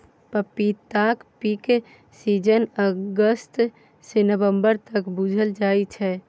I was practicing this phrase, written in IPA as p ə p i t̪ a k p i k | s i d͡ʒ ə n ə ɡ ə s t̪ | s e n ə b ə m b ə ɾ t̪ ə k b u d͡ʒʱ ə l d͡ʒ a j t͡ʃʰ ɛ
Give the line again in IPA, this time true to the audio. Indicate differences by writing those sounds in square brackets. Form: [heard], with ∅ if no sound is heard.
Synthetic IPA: p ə p i t̪ a k p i k | s i d͡ʒ ə n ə ɡ ə s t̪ | s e n ə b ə m b ə ɾ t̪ ə k b u d͡ʒʱ ə l d͡ʒ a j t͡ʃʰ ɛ